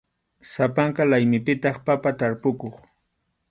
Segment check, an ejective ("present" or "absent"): absent